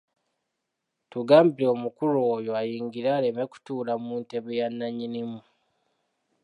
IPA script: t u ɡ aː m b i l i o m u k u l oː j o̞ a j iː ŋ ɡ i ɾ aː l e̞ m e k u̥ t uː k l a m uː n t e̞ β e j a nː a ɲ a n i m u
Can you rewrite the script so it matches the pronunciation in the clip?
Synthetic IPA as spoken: t u ɡ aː m b i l e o m u k u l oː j o̞ a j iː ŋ ɡ i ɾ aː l e̞ m e k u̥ t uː l a m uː n t e̞ β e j a nː a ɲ i n i m u